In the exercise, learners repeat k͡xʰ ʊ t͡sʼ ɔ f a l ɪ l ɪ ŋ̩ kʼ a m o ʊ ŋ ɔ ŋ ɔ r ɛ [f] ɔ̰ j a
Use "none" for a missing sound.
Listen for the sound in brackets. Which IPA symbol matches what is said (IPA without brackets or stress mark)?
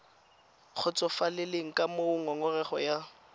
χ